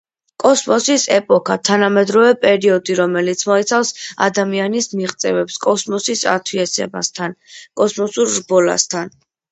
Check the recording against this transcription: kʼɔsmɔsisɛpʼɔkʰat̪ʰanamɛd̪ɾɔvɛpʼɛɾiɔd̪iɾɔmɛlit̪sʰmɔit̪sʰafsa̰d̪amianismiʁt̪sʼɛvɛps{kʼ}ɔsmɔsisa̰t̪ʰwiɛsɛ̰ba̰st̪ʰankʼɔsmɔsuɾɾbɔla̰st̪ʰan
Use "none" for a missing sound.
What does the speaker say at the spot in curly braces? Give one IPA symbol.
kʼ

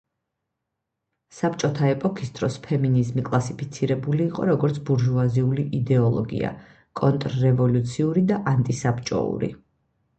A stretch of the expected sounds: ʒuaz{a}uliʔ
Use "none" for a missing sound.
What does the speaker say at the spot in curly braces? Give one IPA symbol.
i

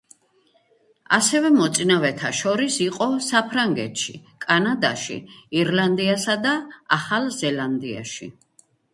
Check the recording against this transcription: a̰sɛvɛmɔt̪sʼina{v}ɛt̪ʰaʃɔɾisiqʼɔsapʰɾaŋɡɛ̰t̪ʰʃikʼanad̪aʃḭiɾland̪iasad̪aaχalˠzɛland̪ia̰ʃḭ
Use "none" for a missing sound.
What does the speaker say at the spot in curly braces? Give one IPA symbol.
v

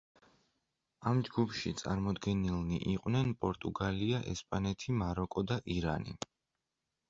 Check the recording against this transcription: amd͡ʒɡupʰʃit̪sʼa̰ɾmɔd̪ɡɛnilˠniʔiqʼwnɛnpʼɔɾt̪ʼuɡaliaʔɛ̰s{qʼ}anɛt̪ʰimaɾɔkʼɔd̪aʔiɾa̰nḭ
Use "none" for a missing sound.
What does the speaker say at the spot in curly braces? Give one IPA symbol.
pʼ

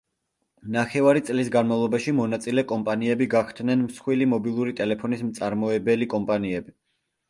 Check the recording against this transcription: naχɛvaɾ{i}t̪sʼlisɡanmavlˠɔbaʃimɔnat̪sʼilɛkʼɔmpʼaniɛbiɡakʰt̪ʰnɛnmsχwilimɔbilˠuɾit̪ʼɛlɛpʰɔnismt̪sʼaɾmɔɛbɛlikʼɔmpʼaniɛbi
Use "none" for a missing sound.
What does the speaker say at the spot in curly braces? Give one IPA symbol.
i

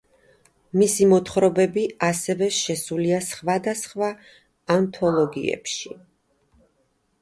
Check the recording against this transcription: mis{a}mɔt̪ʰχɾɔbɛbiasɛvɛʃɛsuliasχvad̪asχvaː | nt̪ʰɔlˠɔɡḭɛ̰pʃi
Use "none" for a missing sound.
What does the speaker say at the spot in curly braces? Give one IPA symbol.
i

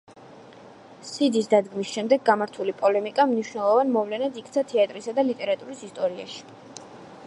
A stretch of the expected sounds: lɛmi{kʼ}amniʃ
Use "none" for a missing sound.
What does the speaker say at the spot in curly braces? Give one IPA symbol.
kʼ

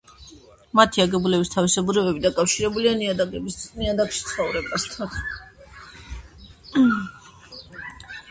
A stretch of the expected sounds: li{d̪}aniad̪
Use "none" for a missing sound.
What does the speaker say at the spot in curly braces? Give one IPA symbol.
none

